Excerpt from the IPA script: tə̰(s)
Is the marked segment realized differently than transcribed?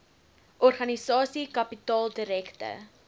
yes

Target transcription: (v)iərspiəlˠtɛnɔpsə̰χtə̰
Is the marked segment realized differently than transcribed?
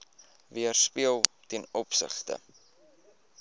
no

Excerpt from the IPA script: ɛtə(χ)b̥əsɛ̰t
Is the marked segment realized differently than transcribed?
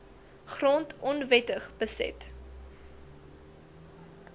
no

